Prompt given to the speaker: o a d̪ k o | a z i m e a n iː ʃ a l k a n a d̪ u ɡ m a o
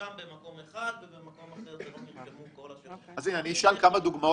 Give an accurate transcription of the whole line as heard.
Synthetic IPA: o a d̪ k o | a z i n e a n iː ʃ a l k a m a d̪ u ɡ m a o